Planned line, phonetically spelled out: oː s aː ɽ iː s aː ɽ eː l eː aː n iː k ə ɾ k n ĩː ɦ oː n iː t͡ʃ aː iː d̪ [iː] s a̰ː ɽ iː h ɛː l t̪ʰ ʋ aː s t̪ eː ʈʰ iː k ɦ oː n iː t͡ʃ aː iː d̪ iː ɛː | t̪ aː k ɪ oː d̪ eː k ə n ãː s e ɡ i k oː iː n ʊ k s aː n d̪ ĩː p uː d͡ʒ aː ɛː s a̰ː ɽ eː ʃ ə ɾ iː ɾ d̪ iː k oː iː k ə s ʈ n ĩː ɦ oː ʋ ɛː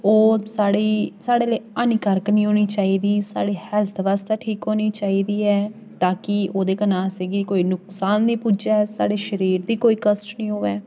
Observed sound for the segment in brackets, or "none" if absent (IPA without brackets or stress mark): iː